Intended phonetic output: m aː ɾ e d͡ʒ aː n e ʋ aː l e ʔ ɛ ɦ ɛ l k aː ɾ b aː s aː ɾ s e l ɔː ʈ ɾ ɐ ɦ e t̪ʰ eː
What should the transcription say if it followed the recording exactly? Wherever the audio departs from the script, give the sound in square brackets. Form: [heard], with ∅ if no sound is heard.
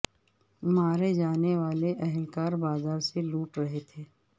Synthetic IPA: m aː ɾ e d͡ʒ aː n e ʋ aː l e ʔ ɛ ɦ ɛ l k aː ɾ b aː [z] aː ɾ s e l [uː] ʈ ɾ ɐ ɦ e t̪ʰ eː

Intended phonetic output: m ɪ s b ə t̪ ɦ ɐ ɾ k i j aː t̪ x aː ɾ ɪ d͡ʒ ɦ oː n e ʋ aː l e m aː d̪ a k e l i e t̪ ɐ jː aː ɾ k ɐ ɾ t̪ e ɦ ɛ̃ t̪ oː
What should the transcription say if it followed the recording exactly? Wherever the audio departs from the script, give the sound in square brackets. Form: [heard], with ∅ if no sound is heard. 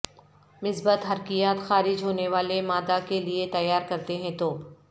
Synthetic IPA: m ɪ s b ə t̪ ɦ ɐ ɾ k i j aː t̪ x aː ɾ ɪ d͡ʒ ɦ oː n e ʋ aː l e m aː d̪ a k e l i e t̪ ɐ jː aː ɾ k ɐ ɾ t̪ e ɦ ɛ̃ t̪ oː

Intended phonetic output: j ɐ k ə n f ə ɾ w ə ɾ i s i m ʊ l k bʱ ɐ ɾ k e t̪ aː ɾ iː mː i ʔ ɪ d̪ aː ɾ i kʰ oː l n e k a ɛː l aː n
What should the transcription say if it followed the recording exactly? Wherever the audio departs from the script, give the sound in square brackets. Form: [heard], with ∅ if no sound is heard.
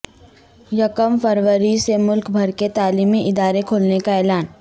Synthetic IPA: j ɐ k ə [m] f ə ɾ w ə ɾ i s [e] m ʊ l k bʱ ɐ ɾ k e t̪ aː [l] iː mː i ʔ ɪ d̪ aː ɾ [e] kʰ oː l n e k a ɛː l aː n

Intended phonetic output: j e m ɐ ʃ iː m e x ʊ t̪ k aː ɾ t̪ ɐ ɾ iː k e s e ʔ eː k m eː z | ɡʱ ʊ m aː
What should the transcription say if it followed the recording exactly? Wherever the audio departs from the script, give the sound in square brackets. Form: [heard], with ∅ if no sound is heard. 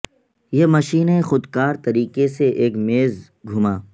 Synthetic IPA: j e m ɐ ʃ iː [n] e x ʊ [d̪] k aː ɾ t̪ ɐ ɾ iː k e s e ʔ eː k m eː z | ɡʱ ʊ m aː

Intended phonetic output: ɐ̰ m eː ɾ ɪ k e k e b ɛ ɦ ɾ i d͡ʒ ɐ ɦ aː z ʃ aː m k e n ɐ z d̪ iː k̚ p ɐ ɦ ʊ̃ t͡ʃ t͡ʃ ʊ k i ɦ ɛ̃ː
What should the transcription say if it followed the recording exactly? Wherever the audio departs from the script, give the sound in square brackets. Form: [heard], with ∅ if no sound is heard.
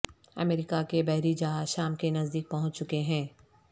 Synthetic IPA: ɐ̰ m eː ɾ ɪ k [a] k e b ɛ ɦ ɾ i d͡ʒ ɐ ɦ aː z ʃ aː m k e n ɐ z d̪ iː k̚ p ɐ ɦ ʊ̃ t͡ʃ t͡ʃ ʊ k [e] ɦ ɛ̃ː

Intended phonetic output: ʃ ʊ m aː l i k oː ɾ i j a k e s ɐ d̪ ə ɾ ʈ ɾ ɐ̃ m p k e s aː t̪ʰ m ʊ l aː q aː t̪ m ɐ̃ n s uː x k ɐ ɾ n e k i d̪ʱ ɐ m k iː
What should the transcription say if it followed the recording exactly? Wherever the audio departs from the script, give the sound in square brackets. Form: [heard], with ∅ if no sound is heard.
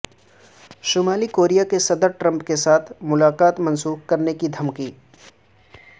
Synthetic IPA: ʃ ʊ m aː l i k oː ɾ i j a k e s ɐ d̪ ə ɾ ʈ ɾ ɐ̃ m p k e s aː t̪ʰ m ʊ l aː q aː t̪ m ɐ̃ n s uː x k ɐ ɾ n e k i d̪ʱ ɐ m k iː

